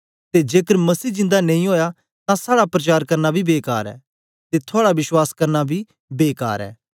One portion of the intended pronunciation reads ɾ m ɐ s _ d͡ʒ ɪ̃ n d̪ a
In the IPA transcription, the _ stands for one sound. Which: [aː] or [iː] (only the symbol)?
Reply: iː